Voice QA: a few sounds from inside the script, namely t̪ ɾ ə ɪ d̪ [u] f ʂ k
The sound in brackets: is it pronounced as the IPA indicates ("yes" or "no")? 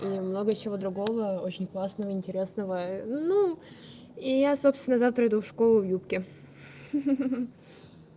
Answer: yes